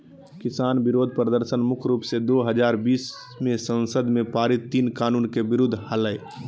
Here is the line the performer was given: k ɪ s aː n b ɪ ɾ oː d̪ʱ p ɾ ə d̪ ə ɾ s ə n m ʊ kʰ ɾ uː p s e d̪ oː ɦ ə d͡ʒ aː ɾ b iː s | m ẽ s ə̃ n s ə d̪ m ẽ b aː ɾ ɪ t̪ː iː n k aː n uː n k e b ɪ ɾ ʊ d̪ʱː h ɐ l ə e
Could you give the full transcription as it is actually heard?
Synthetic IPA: k ɪ s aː n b ɪ ɾ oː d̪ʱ p ɾ ə d̪ ə ɾ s ə n m ʊ kʰ ɾ uː p s e d̪ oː ɦ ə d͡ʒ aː ɾ b iː s | m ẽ s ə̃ n s ə d̪ m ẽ p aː ɾ ɪ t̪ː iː n k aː n uː n k e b ɪ ɾ ʊ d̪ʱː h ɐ l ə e